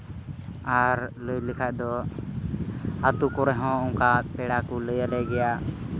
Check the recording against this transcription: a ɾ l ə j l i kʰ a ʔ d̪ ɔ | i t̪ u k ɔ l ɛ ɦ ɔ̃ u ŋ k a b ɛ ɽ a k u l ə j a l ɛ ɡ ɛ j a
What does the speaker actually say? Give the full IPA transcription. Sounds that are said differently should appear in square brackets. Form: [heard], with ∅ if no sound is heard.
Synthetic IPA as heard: a ɾ l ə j l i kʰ a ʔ d̪ ɔ | [a] t̪ u k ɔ [ɾ] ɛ ɦ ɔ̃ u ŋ k a [p] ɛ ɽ a k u l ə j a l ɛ ɡ ɛ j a